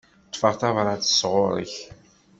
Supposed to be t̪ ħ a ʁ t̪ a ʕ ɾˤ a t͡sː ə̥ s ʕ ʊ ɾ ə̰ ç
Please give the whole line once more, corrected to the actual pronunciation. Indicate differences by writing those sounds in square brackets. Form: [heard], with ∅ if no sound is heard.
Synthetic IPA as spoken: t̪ [f] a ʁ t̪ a [v] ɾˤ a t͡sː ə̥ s [ʁ] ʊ ɾ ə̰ ç